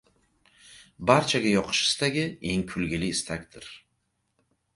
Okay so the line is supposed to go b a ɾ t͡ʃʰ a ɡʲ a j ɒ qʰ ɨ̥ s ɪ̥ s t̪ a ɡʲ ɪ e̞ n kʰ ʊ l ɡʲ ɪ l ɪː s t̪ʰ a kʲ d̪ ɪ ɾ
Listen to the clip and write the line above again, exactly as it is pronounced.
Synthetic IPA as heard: b a ɾ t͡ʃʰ a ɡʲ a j ɒ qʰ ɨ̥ ʃ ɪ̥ s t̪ a ɡʲ ɪ e̞ ŋ kʰ ʊ l ɡʲ ɪ l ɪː s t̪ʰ a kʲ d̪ ɪ ɾ